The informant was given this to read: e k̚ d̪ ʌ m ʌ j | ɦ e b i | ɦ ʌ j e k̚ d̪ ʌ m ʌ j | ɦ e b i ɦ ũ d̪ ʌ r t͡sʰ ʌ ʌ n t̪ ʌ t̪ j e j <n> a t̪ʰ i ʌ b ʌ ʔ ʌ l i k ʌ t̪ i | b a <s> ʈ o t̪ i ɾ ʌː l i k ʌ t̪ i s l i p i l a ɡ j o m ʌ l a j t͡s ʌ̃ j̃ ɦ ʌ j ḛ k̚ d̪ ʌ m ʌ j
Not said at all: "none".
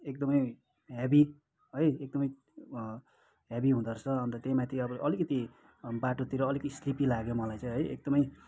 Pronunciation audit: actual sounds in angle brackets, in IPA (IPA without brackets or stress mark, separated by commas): m, none